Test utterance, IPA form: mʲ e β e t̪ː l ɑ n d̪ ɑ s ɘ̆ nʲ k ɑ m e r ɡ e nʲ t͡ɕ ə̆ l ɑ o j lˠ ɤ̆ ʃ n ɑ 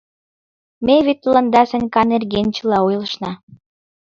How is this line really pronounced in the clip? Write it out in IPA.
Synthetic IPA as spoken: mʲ e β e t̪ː l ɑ n d̪ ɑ s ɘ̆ nʲ k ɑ n e r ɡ e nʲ t͡ɕ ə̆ l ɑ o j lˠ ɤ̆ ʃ n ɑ